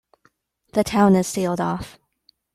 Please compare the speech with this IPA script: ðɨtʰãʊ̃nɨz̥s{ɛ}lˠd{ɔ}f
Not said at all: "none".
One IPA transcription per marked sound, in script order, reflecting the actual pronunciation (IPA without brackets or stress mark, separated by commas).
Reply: i, ɔ